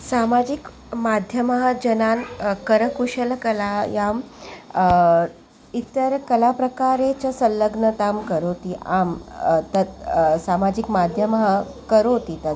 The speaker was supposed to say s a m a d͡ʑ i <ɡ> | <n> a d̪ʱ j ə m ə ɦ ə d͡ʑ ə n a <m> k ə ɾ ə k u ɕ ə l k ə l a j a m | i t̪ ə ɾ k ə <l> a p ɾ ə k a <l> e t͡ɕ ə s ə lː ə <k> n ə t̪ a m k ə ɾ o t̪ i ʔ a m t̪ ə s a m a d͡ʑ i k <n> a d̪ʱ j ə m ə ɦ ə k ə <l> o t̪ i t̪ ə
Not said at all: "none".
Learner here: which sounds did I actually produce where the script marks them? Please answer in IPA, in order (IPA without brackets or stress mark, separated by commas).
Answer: k, m, n, l, ɾ, ɡ, m, ɾ